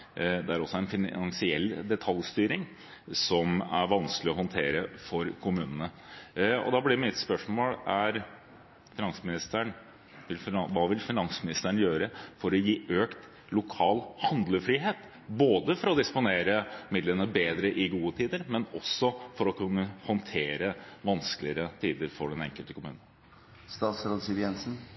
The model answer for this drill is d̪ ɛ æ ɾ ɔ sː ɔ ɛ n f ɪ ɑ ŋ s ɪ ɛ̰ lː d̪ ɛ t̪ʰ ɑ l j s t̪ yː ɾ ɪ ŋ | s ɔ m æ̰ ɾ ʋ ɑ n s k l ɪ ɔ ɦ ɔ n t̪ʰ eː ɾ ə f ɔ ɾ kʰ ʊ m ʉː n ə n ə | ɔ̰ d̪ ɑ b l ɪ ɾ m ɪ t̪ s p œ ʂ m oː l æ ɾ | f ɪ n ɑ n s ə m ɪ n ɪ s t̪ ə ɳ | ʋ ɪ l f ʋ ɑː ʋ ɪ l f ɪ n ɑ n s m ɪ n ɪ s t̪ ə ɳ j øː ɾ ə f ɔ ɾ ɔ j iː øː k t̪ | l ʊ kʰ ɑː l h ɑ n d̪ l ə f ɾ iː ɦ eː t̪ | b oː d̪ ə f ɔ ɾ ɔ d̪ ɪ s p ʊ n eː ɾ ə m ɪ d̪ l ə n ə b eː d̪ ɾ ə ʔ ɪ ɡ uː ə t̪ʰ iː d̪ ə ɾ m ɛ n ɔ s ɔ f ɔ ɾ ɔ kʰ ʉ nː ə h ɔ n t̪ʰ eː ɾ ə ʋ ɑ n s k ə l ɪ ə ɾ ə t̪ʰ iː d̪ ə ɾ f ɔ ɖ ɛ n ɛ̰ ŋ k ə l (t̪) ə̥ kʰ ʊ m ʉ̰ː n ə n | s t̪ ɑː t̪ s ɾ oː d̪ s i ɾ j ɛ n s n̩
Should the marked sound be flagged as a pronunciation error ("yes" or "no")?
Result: no